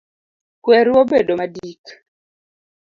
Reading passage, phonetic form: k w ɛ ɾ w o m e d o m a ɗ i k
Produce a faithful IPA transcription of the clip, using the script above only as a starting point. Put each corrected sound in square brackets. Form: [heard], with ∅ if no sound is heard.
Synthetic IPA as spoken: k w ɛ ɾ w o [b] e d o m a [d] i k